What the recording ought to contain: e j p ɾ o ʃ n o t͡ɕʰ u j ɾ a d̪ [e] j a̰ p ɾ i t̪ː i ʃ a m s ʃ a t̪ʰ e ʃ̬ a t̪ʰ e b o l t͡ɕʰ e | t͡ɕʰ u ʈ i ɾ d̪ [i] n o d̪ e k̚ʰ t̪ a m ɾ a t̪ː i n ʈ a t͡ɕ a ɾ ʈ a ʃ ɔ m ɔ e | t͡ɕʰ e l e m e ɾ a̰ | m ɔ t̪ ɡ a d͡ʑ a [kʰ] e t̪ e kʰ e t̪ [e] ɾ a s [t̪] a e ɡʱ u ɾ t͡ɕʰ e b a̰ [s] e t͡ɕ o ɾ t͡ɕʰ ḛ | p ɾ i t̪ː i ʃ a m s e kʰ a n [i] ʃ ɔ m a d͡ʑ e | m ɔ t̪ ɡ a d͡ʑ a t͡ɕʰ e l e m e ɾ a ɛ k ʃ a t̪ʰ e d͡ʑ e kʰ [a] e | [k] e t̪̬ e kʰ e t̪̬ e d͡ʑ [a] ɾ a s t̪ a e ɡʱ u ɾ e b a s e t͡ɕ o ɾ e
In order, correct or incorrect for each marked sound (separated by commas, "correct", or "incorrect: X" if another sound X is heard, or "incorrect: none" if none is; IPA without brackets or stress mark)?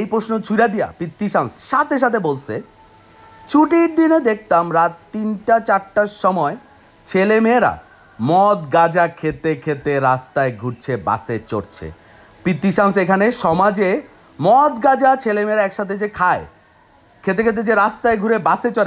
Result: incorrect: i, correct, correct, correct, correct, correct, incorrect: e, correct, incorrect: kʰ, incorrect: e